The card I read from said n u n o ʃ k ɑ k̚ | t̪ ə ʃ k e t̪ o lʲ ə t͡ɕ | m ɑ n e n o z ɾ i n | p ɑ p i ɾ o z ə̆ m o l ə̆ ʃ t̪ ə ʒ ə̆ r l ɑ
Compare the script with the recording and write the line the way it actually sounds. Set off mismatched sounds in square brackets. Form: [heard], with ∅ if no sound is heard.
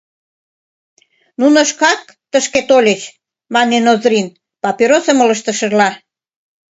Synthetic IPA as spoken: n u n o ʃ k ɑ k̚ | t̪ ə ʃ k e t̪ o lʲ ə t͡ɕ | m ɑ n e n o z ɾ i n | p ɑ p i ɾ o [s] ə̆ m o l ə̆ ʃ t̪ ə [ʃ] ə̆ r l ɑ